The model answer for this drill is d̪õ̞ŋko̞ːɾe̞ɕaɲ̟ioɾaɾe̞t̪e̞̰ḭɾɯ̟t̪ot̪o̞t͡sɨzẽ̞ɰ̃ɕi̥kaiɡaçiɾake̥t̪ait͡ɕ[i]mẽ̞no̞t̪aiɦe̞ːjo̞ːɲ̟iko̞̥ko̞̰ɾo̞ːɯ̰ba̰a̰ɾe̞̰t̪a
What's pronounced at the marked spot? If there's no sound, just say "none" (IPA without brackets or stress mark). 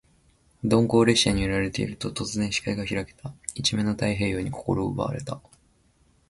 i